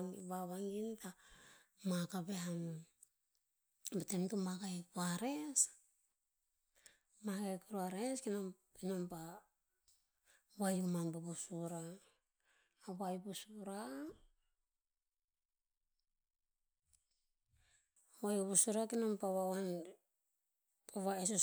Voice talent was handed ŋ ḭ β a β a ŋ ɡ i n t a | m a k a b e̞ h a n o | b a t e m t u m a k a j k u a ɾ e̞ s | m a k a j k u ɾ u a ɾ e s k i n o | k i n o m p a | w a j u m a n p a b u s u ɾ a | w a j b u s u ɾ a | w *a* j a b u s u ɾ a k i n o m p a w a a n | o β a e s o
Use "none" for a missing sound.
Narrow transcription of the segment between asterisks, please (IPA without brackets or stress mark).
a